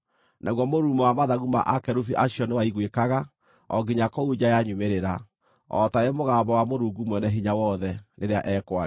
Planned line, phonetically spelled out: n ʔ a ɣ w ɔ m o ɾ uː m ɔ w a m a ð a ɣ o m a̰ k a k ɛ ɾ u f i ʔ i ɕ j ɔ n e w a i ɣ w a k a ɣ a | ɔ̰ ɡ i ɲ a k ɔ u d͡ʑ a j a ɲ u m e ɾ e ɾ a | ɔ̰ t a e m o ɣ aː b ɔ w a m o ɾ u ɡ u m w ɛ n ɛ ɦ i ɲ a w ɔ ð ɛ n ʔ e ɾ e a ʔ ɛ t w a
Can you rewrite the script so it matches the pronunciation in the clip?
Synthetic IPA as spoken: n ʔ a ɣ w ɔ m o ɾ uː m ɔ w a m a ð a ɣ u m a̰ ʔ a k ɛ ɾ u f i ʔ a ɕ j ɔ n e w a i ɣ w e k a ɣ a | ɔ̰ ɡ i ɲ a k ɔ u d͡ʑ a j a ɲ u m e ɾ e ɾ a | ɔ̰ t a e m o ɣ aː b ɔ w a m o ɾ u ɡ u m w ɛ n ɛ ɦ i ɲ a w ɔ ð ɛ n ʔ e ɾ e a ʔ ɛ k w a